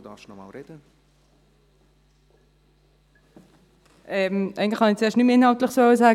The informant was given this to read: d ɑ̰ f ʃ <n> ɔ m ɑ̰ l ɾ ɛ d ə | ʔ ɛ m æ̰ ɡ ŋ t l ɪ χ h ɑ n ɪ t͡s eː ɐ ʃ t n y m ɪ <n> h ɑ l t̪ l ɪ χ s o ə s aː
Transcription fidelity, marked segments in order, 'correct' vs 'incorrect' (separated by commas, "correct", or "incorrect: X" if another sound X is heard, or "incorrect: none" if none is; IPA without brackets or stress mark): correct, correct